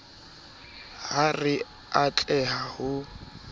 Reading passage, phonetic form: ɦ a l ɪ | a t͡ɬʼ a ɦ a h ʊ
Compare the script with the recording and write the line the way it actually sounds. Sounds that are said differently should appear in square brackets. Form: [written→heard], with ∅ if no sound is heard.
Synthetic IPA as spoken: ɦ a [l→r] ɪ | a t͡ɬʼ [a→ɛ] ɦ a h ʊ